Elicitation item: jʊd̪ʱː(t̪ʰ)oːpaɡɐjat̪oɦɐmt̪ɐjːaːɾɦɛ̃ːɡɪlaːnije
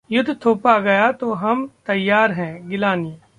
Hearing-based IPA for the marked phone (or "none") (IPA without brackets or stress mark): t̪ʰ